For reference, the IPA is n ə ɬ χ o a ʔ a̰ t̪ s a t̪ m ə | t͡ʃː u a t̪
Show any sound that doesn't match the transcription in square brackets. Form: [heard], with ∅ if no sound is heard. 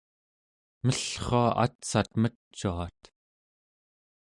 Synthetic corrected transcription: [m] ə ɬ χ o a ʔ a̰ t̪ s a t̪ m ə | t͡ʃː u a t̪